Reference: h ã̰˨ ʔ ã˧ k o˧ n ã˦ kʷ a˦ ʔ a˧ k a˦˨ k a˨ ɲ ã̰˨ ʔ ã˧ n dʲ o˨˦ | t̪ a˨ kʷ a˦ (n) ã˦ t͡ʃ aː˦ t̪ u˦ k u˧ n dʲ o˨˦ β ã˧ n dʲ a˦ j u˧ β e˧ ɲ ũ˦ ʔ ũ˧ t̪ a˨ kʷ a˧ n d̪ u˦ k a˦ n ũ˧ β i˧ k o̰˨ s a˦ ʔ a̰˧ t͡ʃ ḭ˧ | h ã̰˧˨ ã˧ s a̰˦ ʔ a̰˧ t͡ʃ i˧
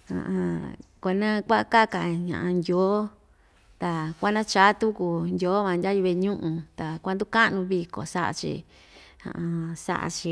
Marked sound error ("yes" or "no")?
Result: no